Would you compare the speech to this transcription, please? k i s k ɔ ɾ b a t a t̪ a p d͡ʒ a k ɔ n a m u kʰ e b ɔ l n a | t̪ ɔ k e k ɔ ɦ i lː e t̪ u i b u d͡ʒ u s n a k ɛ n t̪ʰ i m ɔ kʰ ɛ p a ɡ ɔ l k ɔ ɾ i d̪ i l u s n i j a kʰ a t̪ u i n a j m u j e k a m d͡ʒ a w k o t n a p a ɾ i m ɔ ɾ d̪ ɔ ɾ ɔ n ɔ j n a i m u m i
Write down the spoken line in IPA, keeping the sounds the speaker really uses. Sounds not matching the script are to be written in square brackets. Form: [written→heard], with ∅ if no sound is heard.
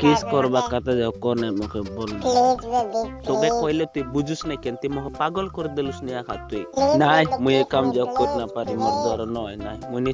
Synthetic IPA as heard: k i s k ɔ ɾ b a [t→k] a t̪ a [p→∅] d͡ʒ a k ɔ n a m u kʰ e b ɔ l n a | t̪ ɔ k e k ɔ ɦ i [lː→l] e t̪ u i b u d͡ʒ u s n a k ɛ n [t̪ʰ→t̪] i m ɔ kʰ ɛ p a ɡ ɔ l k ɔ ɾ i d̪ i l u s n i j a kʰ a t̪ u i n a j m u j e k a m d͡ʒ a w k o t n a p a ɾ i m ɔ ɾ d̪ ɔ ɾ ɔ n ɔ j n a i m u [m→n] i